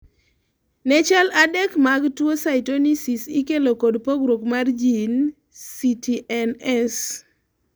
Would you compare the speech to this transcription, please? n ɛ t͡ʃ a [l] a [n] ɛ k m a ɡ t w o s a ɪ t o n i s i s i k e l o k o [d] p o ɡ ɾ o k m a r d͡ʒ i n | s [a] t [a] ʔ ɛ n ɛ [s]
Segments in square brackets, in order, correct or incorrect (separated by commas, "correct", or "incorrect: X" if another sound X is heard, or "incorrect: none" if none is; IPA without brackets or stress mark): correct, incorrect: d, correct, incorrect: i, incorrect: i, correct